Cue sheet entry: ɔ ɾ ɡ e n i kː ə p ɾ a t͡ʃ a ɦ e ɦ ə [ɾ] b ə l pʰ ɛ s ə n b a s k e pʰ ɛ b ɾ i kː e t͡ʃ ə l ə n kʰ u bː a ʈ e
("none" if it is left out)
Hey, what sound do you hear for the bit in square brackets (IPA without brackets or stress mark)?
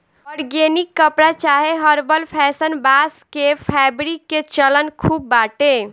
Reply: ɾ